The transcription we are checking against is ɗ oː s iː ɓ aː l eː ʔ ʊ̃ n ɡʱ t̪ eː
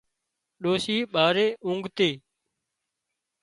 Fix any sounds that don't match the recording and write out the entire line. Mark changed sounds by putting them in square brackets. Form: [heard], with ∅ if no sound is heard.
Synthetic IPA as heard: ɗ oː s iː ɓ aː [ɾ] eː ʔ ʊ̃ [ŋ] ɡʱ t̪ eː